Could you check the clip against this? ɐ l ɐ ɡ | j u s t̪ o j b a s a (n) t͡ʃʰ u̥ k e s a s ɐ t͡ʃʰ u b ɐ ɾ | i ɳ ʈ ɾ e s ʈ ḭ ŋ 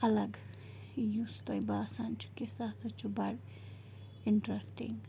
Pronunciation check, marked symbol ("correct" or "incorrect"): correct